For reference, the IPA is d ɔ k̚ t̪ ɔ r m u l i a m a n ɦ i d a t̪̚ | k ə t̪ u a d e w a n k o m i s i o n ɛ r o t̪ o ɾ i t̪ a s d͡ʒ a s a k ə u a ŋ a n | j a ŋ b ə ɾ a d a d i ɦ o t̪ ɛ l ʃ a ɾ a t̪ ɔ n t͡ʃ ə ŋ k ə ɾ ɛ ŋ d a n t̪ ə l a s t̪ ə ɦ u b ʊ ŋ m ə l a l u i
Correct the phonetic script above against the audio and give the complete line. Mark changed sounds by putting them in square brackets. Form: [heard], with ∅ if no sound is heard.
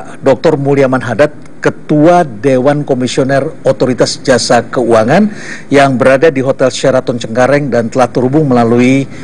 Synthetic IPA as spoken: d ɔ k̚ t̪ ɔ r m u l i a m a n ɦ [a] d a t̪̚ | k ə t̪ u a d e w a n k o m i s i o n ɛ r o t̪ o ɾ i t̪ a s d͡ʒ a s a k ə u a ŋ a n | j a ŋ b ə ɾ a d a d i ɦ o t̪ ɛ l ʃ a ɾ a t̪ ɔ n t͡ʃ ə ŋ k [a] ɾ ɛ ŋ d a n t̪ ə l a [h] t̪ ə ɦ u b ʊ ŋ m ə l a l u i

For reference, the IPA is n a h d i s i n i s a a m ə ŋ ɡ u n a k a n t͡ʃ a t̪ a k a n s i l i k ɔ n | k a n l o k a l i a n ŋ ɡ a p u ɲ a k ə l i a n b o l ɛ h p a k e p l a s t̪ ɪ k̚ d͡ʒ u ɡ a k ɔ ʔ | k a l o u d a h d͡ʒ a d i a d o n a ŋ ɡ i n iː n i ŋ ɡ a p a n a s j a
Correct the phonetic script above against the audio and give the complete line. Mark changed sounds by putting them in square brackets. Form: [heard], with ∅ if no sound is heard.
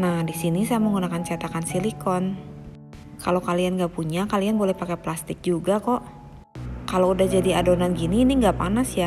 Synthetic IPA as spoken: n a h d i s i n i s a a m ə ŋ ɡ u n a k a n t͡ʃ a t̪ a k a n s i l i k ɔ n | k a [∅] l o k a l i a n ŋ ɡ a p u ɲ a k [a] l i a n b o l ɛ h p a k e p l a s t̪ ɪ k̚ d͡ʒ u ɡ a k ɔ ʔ | k a l o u d a h d͡ʒ a d i a d o n a [n] ɡ i n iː n i ŋ ɡ a p a n a s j a

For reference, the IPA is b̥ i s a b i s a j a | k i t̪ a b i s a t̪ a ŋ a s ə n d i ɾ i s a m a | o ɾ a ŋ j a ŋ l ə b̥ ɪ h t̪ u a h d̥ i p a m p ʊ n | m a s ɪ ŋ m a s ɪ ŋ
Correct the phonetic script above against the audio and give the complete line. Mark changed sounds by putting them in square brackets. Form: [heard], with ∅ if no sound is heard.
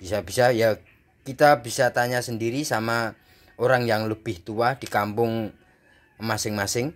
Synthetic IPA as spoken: b̥ i s a b i s a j a | k i t̪ a b i s a t̪ a [ɲ] a s ə n d i ɾ i s a m a | o ɾ a ŋ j a ŋ l ə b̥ ɪ h t̪ u a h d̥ i [k] a m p ʊ [ŋ] | m a s ɪ ŋ m a s ɪ ŋ

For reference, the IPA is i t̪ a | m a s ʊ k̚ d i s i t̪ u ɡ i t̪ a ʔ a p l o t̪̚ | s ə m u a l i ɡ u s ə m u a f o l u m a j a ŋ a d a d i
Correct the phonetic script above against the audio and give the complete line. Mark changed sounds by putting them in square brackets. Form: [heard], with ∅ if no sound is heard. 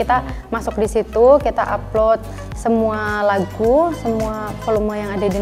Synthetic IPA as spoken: i t̪ a | m a s ʊ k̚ d i s i t̪ u [k] i t̪ a ʔ a p l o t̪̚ | s ə m u a l [a] ɡ u s ə m u a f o l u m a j a ŋ a d a d i

